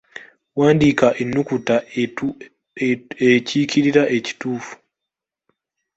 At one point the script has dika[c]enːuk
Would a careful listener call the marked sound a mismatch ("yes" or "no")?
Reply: yes